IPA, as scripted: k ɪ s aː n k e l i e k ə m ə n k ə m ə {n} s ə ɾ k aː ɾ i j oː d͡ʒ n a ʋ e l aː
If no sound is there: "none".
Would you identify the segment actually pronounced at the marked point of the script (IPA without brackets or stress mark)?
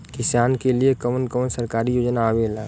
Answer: n